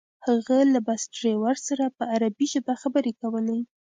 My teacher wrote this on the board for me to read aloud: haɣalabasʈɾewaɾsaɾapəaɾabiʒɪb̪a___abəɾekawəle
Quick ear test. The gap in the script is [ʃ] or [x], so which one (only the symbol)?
x